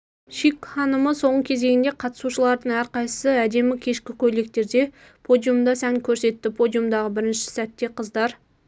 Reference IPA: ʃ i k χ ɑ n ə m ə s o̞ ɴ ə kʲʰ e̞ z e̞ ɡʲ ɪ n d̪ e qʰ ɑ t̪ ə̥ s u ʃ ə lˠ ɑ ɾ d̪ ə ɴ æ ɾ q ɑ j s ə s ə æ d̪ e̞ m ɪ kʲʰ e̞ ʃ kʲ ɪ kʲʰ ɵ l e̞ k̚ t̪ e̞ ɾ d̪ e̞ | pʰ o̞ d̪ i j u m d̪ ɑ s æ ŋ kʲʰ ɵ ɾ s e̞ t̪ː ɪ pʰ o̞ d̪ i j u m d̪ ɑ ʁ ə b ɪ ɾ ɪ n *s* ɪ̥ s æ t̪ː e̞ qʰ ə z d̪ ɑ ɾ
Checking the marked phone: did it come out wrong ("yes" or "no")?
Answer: yes